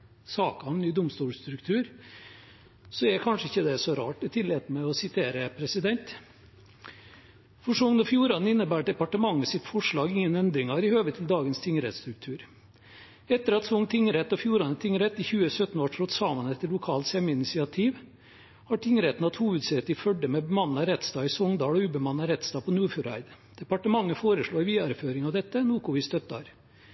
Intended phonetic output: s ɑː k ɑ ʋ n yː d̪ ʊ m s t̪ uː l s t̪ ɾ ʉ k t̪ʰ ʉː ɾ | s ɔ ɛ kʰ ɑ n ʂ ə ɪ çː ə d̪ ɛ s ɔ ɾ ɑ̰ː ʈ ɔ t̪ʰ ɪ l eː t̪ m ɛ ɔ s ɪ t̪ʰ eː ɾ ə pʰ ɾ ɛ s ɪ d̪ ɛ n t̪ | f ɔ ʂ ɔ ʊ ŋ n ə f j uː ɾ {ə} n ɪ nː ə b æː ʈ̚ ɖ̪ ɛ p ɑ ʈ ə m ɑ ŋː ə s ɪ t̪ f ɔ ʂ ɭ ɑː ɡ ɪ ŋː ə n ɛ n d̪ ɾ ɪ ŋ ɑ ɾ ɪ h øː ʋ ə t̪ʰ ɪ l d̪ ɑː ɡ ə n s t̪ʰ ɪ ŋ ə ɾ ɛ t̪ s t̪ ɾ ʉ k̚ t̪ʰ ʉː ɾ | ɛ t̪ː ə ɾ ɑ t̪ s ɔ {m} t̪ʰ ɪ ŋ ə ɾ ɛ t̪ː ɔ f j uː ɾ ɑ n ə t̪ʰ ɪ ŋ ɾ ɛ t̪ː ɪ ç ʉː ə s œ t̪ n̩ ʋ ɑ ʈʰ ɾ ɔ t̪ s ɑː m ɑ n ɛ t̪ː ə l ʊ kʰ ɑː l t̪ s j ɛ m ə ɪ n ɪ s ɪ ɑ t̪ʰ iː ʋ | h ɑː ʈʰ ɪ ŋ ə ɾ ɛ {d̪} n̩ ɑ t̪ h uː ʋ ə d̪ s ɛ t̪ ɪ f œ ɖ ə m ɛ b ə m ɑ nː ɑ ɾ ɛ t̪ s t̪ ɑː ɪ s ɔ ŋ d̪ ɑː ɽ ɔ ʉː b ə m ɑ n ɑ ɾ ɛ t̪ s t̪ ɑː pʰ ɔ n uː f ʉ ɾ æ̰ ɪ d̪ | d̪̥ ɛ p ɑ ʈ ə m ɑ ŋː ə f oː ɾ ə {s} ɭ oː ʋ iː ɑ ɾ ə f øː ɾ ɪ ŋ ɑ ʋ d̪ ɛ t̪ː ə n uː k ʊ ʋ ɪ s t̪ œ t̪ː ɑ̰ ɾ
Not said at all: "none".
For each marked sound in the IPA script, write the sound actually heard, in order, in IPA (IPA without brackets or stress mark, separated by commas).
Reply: ɑ, ŋ, t̪, ʂ